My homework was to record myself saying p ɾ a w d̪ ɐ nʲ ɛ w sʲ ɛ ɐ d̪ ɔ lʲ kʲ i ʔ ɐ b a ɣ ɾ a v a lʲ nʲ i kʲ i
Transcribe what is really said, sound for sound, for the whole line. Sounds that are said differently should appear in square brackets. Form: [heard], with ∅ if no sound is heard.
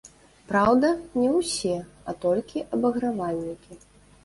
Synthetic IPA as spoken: p ɾ a w d̪ ɐ nʲ ɛ w sʲ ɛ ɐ [t̪] ɔ lʲ kʲ i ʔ ɐ b [ɐ] ɣ ɾ a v a lʲ nʲ i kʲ i